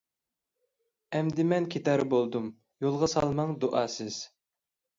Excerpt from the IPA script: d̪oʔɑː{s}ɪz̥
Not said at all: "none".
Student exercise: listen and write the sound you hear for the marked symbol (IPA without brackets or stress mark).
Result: s